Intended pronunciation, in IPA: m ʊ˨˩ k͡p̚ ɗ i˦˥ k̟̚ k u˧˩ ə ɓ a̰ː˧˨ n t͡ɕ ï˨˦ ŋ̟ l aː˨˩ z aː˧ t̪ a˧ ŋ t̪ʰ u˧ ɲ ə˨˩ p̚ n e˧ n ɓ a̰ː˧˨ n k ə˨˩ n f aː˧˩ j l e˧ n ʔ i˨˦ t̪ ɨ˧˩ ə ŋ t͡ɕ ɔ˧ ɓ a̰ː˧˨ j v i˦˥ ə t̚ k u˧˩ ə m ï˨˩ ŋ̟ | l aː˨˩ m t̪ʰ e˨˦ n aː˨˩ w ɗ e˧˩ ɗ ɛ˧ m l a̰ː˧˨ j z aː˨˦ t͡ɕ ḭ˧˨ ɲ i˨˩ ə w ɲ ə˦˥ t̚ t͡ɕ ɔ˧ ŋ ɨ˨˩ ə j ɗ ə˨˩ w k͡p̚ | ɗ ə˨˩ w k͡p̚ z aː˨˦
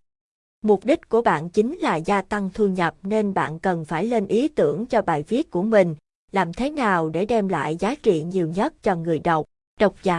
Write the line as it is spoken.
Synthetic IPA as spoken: m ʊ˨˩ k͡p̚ ɗ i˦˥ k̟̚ k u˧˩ ə ɓ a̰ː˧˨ n t͡ɕ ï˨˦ ŋ̟ l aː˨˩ z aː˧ t̪ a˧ ŋ t̪ʰ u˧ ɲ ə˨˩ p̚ n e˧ n ɓ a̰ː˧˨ n k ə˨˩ n f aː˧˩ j l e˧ n ʔ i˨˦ t̪ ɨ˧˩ ə ŋ t͡ɕ ɔ˧ ɓ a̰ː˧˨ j v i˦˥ ə t̚ k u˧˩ ə m ï˨˩ ŋ̟ | l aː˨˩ m t̪ʰ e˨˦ n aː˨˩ w ɗ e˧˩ ɗ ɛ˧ m l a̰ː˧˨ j z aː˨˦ t͡ɕ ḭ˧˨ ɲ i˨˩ ə w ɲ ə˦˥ t̚ t͡ɕ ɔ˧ ŋ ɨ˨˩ ə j ɗ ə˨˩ w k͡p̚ | ɗ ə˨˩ w k͡p̚ z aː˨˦